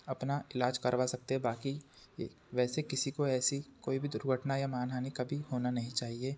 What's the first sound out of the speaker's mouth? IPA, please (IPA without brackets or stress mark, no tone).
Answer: ɐ